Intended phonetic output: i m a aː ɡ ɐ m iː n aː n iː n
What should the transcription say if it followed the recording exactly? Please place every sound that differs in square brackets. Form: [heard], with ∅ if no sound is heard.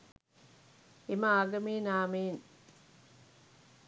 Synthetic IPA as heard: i m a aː ɡ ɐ m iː n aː [m] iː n